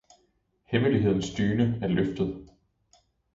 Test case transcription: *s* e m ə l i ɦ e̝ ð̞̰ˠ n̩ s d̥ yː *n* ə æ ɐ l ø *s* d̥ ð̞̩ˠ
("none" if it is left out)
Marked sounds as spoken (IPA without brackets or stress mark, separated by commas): h, n, f